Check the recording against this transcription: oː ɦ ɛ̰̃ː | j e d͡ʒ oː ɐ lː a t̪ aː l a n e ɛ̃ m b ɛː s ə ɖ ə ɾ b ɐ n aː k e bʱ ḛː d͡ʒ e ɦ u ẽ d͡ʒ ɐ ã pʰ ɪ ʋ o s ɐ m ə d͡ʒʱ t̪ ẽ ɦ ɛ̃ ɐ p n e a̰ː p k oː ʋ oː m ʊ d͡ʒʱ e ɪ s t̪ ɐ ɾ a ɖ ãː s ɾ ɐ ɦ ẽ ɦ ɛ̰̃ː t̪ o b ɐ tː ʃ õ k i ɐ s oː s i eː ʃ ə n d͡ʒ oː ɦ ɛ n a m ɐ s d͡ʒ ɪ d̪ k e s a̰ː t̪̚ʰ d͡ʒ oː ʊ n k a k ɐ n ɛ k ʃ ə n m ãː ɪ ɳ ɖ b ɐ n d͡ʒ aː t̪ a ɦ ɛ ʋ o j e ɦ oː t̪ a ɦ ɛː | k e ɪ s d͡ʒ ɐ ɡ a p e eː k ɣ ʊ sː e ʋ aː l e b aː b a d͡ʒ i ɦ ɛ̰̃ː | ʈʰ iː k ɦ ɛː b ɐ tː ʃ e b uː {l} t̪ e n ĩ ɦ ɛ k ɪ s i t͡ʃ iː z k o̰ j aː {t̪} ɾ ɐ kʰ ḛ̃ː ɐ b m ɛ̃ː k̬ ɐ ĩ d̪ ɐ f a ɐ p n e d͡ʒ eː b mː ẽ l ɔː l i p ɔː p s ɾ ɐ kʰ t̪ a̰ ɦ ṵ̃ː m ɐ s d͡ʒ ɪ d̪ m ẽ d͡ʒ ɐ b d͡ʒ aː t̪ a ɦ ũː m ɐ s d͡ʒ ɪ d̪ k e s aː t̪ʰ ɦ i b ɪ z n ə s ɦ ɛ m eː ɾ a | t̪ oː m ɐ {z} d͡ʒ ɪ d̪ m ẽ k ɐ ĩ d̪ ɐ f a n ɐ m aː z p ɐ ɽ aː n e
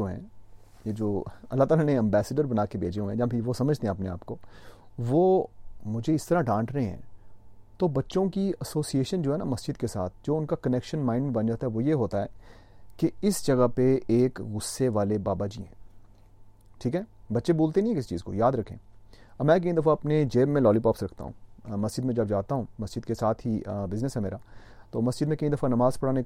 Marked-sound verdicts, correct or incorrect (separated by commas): correct, incorrect, incorrect